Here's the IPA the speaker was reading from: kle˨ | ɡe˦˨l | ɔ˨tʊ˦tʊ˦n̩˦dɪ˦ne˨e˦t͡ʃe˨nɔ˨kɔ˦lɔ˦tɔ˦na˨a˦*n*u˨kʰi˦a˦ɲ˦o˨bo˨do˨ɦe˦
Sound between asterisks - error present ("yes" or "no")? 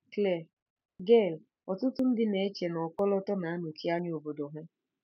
no